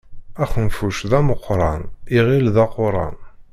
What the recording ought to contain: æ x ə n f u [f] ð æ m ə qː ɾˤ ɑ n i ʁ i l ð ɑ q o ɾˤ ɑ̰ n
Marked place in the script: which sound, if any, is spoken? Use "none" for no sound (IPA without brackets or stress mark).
ʃ